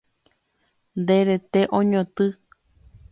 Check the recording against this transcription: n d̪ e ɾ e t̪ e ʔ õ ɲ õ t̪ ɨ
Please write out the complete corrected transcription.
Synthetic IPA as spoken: n d̪ e ɾ e t̪ e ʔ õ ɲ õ t̪ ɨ